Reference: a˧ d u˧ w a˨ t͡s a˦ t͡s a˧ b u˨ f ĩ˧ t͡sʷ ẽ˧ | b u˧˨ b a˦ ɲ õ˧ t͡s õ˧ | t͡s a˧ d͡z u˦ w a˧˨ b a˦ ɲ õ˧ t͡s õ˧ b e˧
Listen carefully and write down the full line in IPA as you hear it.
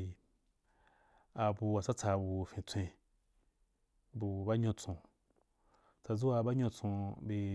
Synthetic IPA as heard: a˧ b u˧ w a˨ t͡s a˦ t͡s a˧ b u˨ f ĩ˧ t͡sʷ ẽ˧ | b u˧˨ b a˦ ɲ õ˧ t͡s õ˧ | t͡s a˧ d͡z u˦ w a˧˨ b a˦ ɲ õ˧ t͡s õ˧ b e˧